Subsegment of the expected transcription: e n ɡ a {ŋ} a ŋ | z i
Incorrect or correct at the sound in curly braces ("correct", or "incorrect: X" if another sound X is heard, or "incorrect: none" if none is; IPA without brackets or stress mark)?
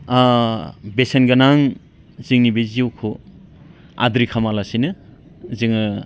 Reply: incorrect: n